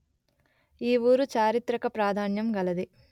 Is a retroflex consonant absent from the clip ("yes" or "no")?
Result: yes